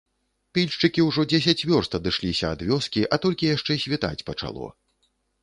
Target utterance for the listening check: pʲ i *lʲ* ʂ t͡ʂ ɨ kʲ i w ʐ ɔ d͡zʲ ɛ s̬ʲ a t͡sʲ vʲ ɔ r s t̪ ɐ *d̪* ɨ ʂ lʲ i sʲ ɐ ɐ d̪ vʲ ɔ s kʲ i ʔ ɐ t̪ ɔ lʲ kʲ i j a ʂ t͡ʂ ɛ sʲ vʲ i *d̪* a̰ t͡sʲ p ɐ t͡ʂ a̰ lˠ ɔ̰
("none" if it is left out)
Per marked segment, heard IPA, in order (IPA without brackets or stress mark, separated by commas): lʲ, d̪, t̪